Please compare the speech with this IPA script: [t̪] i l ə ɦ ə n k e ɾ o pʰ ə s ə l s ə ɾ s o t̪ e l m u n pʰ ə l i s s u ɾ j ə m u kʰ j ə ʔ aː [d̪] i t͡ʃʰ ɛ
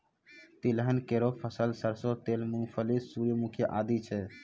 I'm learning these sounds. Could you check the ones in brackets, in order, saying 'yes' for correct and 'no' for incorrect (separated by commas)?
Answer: yes, yes